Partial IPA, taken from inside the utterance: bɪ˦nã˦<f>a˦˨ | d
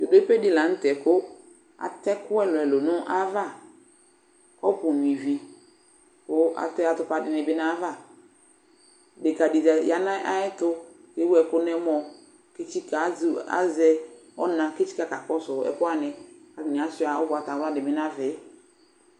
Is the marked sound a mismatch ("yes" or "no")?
yes